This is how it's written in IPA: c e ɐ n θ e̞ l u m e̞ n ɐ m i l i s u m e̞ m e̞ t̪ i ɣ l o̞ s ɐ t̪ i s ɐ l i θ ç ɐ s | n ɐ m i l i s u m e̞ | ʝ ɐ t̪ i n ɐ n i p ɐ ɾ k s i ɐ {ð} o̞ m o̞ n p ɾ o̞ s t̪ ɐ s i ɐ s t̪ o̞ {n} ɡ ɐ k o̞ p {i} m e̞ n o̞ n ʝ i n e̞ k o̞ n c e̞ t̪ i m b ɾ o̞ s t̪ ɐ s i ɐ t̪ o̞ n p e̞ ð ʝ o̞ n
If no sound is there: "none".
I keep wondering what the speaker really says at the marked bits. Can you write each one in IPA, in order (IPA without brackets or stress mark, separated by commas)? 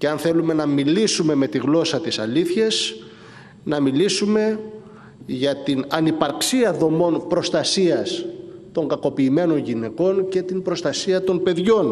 ð, ŋ, iː